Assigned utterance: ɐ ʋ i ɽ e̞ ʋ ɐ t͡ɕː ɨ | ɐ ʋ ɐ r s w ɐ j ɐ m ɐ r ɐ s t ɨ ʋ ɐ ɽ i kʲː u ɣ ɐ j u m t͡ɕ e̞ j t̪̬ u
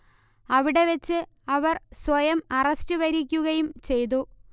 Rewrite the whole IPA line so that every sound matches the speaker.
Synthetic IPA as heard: ɐ ʋ i ɽ e̞ ʋ ɐ t͡ɕː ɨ | ɐ ʋ ɐ r s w ɐ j ɐ m ɐ r ɐ s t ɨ ʋ ɐ ɾ i kʲː u ɣ ɐ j u m t͡ɕ e̞ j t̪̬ u